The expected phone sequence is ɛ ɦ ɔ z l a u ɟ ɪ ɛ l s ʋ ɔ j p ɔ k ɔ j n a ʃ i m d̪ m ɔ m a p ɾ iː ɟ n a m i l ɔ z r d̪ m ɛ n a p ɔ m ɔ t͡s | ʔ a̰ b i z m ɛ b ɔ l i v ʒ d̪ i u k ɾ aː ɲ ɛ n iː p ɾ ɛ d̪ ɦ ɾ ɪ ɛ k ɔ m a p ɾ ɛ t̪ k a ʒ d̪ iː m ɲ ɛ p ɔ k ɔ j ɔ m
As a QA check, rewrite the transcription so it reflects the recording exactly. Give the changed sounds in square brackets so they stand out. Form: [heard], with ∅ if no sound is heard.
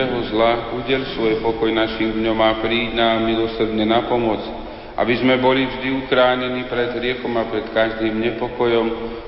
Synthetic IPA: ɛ ɦ ɔ z l a u ɟ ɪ ɛ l s ʋ ɔ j p ɔ k ɔ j n a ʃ i m d̪ [ɲ] ɔ m a p ɾ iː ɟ n a m i l ɔ [s] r d̪ [ɲ] ɛ n a p ɔ m ɔ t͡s | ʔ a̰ b i z m ɛ b ɔ l i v ʒ d̪ i u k ɾ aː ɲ ɛ n iː p ɾ ɛ d̪ ɦ ɾ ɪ ɛ k ɔ m a p ɾ ɛ t̪ k a ʒ d̪ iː m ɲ ɛ p ɔ k ɔ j ɔ m